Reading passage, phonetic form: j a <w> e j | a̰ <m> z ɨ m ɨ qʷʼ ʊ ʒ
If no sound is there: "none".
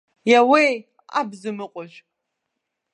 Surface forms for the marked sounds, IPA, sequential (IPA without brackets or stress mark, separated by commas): w, b